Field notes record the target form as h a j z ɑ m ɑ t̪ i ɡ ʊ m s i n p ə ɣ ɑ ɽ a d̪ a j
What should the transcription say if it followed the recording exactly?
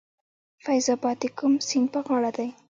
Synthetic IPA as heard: f a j z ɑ b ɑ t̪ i k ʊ m s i n p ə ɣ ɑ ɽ a d̪ a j

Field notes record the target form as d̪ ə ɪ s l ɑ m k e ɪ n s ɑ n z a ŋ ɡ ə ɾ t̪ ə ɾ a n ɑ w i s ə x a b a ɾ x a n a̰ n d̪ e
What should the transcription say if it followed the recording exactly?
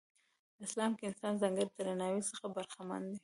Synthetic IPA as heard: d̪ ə ɪ s l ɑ m k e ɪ n s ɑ n z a ŋ ɡ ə ɾ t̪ ə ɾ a n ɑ w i s ə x a b a ɾ x a m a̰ n d̪ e

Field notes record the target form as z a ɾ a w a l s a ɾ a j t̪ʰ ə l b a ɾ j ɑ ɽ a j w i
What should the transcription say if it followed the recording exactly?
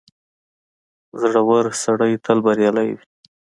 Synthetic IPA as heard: z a ɽ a w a ɾ s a ɽ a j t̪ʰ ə l b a ɾ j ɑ l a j w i

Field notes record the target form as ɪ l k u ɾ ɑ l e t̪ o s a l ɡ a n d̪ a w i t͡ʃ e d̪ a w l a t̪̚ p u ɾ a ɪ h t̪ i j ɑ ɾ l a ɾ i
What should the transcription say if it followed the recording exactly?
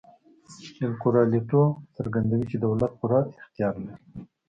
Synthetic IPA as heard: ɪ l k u ɾ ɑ l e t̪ o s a ɾ ɡ a n d̪ a w i t͡ʃ e d̪ a w l a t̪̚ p u ɾ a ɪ x t̪ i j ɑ ɾ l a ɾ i

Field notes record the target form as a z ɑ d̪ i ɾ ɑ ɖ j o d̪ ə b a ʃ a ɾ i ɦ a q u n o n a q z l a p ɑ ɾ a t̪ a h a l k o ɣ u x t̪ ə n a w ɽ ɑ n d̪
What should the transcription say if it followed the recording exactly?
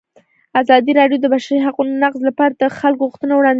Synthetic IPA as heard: a z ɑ d̪ i ɾ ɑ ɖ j o d̪ ə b a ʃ a ɾ i ɦ a q u n o n a q z l a p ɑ ɾ a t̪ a x a l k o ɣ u x t̪ ə n a w ɽ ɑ n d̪

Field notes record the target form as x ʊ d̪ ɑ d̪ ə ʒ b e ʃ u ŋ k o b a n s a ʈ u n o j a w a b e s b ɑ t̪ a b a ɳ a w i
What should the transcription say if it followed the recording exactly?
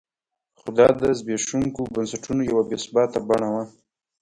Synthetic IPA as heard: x ʊ d̪ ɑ d̪ ə z b e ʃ u ŋ k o b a n s a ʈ u n o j a w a b e s b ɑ t̪ a b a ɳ a w a

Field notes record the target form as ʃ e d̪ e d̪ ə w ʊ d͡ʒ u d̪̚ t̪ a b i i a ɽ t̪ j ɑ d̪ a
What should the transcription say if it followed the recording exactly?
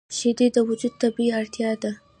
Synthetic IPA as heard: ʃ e d̪ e d̪ ə w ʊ d͡ʒ u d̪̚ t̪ a b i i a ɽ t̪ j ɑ d̪ a

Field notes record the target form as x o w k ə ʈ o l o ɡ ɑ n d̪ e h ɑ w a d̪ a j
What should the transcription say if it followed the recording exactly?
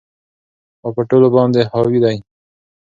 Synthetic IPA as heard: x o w p ə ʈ o l o b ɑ n d̪ e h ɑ w i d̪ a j

